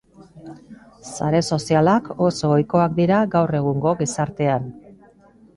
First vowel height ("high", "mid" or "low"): low